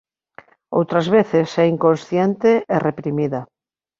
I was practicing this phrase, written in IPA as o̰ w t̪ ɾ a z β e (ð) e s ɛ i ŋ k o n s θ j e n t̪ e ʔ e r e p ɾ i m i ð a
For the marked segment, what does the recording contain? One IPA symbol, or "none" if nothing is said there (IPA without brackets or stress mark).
θ